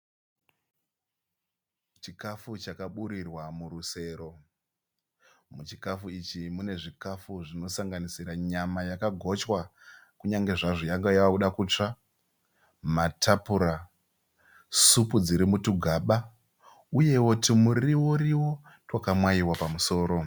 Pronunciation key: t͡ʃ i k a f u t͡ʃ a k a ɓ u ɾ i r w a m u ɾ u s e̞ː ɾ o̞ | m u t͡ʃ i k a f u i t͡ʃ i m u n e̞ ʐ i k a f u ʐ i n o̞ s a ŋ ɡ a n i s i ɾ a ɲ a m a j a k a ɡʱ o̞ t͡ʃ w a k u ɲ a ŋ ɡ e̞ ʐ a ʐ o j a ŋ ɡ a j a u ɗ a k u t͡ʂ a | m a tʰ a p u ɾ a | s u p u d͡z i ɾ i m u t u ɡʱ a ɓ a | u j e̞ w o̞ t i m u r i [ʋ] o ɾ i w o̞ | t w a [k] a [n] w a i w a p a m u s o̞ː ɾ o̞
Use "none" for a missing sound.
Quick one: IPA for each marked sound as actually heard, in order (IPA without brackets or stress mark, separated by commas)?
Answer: w, k, m